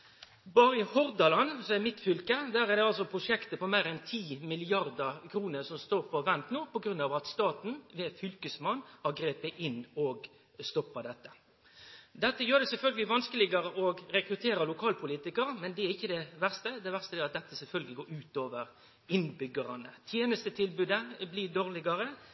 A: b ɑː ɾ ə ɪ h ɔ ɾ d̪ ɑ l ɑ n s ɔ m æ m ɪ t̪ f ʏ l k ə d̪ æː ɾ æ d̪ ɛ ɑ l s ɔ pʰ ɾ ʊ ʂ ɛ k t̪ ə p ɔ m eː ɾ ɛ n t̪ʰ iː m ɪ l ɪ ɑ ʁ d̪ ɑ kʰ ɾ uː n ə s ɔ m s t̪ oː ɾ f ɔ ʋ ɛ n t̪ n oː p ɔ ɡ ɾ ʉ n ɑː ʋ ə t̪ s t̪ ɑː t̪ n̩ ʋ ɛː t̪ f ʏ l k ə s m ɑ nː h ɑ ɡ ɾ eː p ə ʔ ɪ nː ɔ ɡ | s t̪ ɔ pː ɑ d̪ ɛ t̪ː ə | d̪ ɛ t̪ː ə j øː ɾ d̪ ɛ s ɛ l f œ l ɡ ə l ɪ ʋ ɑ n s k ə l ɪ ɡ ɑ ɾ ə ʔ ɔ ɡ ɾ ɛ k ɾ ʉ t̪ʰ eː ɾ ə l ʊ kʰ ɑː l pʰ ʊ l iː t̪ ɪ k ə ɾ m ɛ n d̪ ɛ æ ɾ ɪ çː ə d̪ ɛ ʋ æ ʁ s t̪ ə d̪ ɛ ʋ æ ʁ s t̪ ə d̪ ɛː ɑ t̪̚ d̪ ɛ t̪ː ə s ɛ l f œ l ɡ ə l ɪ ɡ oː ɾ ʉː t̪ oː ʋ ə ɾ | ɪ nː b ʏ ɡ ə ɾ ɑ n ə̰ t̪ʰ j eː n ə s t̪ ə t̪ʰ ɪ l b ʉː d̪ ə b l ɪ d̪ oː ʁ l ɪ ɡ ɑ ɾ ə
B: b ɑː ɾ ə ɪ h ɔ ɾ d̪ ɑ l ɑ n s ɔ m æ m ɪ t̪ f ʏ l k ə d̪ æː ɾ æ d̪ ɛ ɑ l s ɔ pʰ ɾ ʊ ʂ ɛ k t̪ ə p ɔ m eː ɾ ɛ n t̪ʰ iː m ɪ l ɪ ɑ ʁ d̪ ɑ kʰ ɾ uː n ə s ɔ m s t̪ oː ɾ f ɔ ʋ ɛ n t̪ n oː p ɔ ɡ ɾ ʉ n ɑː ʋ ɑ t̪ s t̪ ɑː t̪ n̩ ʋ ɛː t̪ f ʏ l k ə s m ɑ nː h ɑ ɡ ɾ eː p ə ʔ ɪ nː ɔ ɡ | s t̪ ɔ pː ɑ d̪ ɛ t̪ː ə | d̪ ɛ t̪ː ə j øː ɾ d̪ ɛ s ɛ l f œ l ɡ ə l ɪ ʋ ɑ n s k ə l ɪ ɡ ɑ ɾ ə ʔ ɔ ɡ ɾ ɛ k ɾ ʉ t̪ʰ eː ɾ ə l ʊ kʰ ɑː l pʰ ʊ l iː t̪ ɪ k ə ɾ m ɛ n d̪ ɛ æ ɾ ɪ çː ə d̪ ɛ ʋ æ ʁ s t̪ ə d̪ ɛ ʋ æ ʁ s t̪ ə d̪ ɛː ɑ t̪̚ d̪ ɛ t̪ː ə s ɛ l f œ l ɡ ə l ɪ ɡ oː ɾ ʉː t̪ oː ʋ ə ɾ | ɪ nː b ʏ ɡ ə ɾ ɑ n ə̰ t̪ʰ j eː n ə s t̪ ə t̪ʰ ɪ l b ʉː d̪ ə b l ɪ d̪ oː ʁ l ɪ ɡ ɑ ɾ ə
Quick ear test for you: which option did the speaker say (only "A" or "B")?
B